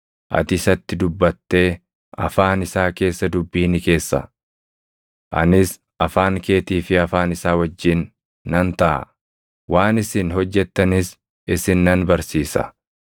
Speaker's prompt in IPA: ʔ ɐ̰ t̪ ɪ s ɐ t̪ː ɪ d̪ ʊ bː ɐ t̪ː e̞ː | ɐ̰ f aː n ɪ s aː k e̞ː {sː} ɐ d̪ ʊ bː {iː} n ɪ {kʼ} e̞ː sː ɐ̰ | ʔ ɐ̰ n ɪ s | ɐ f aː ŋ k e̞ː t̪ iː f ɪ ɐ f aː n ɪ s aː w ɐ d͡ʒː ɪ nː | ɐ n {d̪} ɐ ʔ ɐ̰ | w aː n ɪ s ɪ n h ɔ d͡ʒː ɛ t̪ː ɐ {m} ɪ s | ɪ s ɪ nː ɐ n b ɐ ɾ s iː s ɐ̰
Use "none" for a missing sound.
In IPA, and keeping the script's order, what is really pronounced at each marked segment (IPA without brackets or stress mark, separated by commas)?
sː, iː, k, t̪, n